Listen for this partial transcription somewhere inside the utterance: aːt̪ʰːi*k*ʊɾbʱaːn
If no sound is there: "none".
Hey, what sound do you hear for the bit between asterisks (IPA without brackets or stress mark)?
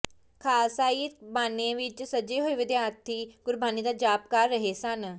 ɡ